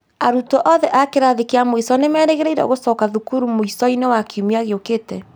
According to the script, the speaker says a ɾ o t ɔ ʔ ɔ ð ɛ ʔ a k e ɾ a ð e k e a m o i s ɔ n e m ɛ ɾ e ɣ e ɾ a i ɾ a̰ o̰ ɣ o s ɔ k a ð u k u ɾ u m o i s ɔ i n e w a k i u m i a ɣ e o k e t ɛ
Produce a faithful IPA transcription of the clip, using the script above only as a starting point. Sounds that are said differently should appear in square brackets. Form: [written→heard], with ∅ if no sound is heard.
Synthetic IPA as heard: a ɾ [o→u] t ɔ ʔ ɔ ð ɛ ʔ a k e ɾ a ð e k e a m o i s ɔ n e m ɛ ɾ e ɣ e ɾ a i ɾ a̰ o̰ ɣ o s ɔ k a ð u k u ɾ u m o i s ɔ i n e w a k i u m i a ɣ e o k e t ɛ

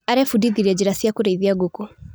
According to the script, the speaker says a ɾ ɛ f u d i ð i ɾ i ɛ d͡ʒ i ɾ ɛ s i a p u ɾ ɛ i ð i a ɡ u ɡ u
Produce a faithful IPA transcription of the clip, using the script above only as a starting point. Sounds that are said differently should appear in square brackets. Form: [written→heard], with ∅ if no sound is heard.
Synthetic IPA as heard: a ɾ ɛ f u d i ð i ɾ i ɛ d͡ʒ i ɾ [ɛ→a] s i a [p→k] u ɾ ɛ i ð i a ɡ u [ɡ→k] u

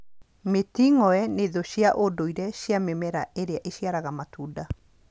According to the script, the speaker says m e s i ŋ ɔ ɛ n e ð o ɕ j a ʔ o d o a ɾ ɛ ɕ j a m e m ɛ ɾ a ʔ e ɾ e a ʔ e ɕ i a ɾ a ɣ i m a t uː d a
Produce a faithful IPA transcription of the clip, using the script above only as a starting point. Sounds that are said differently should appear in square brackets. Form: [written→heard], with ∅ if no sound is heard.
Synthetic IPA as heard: m e [s→t] i ŋ ɔ ɛ n e ð o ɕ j a ʔ o d o [a→i] ɾ ɛ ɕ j a m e m ɛ ɾ a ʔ e ɾ e a ʔ e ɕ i a ɾ a ɣ [i→a] m a t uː d a

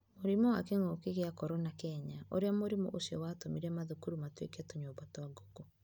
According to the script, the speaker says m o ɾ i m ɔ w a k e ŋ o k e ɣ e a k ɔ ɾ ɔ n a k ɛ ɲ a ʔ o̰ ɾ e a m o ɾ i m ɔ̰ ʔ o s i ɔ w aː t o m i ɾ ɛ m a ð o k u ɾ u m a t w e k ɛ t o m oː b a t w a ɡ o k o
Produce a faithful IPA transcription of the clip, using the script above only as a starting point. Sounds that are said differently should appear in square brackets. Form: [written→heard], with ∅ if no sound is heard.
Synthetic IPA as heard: m o ɾ i m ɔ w a k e ŋ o k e ɣ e a k ɔ ɾ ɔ n a k ɛ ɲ a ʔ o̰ ɾ e a m o ɾ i m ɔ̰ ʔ o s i ɔ w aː t o m i ɾ ɛ m a ð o k u ɾ u m a t w e k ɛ t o [m→ɲ] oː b a t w a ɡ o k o

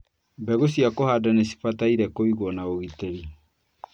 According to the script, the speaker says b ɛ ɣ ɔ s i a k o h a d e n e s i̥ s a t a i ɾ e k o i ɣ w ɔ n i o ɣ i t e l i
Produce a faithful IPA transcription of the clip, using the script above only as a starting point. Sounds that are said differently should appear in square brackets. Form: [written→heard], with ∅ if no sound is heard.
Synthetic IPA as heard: b ɛ ɣ [ɔ→o] s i a k o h a d [e→a] n e s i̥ [s→f] a t a i ɾ [e→ɛ] k o i ɣ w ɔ n [i→a] o ɣ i t e [l→ɾ] i

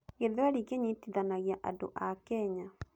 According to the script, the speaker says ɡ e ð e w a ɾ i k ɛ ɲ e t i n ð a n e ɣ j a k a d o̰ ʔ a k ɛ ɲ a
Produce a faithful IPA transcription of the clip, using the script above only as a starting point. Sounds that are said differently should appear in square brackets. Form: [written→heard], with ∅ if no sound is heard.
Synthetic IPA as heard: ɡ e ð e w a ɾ i k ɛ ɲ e t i [n→∅] ð a n [e→a] ɣ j a [k→ʔ] a d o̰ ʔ a k ɛ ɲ a

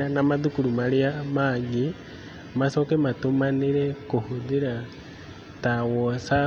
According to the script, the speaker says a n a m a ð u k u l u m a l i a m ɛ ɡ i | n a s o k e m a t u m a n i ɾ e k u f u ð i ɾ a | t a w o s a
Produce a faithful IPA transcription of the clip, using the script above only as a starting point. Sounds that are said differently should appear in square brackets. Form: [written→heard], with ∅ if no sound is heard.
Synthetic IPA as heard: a n a m a ð u k u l u m a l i a m [ɛ→a] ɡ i | [n→m] a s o k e m a t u m a n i ɾ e k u [f→h] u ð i ɾ a | t a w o s a

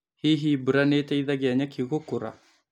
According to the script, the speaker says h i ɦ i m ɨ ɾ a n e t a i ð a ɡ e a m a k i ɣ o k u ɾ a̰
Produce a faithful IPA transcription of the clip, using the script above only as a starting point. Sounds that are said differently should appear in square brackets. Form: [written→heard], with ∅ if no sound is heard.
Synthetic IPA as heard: h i ɦ i [m→b] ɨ ɾ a n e t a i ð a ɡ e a [m→ɲ] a k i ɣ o k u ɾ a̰

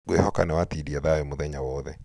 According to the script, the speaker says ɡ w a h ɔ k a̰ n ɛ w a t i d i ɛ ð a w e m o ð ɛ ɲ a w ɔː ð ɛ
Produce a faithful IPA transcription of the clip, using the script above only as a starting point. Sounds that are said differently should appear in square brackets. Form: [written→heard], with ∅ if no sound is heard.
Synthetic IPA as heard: ɡ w [a→e] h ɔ k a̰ n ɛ w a t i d i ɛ ð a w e m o ð ɛ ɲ a w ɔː ð ɛ

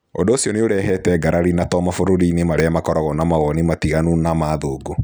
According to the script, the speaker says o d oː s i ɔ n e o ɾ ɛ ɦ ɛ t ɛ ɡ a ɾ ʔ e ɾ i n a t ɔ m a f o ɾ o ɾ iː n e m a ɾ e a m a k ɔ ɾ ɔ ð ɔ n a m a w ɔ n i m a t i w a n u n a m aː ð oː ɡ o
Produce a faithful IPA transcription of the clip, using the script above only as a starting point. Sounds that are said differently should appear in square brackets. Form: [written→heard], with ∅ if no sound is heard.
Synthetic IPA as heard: o d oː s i ɔ n e o ɾ ɛ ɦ ɛ t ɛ ɡ a ɾ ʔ [e→a] ɾ i n a t ɔ m a f o ɾ o ɾ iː n e m a ɾ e a m a k ɔ ɾ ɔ [ð→ɣ] ɔ n a m a [w→ɣ] ɔ n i m a t i [w→ɣ] a n u n a m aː ð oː ɡ o

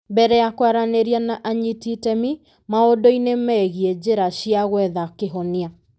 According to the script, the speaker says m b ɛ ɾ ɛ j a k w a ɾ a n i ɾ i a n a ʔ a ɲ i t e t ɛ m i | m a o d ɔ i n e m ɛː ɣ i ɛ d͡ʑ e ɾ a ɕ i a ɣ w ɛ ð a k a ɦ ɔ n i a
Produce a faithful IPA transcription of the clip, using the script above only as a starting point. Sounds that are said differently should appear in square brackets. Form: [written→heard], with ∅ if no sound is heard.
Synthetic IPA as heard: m b ɛ ɾ ɛ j a k w a ɾ a n [i→e] ɾ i a n a ʔ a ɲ i t [e→i] t ɛ m i | m a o d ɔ i n e m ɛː ɣ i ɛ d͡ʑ e ɾ a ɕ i a ɣ w ɛ ð a k [a→e] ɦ ɔ n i a

